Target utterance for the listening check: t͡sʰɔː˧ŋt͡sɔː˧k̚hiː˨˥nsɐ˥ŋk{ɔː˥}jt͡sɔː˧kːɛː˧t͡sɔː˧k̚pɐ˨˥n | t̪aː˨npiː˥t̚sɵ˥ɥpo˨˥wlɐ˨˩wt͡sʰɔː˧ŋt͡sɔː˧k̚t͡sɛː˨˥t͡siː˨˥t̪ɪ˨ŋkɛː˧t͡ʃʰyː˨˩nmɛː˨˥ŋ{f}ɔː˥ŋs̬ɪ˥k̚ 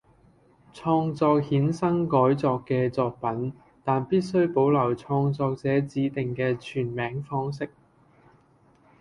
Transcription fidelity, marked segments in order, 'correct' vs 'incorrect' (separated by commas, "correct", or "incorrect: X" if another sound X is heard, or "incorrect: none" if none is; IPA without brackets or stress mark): incorrect: ɔː˨˥, correct